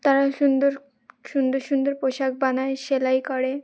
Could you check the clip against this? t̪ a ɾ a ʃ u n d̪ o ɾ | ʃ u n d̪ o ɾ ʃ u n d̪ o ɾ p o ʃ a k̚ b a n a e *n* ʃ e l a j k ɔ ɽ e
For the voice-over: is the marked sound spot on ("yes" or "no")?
no